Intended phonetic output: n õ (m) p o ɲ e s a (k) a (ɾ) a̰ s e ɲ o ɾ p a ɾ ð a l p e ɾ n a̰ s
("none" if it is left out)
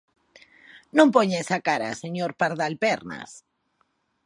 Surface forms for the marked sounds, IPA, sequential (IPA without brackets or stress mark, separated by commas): m, k, ɾ